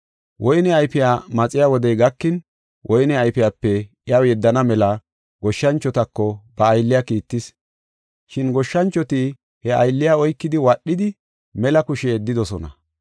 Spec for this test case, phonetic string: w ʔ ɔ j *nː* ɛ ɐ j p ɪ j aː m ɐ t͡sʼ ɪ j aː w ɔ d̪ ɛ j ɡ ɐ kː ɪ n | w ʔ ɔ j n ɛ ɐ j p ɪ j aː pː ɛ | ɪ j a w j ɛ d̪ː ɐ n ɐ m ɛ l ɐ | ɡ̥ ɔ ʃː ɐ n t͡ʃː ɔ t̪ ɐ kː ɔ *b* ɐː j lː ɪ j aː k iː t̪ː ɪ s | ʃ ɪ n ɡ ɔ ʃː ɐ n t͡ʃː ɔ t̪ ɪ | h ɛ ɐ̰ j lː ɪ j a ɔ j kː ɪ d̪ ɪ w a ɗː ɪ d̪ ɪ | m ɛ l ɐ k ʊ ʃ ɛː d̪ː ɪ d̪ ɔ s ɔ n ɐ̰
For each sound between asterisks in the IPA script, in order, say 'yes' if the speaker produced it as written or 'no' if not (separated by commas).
no, yes